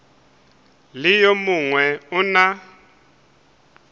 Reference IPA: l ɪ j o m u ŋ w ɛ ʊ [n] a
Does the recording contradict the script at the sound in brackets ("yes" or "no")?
no